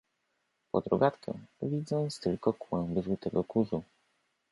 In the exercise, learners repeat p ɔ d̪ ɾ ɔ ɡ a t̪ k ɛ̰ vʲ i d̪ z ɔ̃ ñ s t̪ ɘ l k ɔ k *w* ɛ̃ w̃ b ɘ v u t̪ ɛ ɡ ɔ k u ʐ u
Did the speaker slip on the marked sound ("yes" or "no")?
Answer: no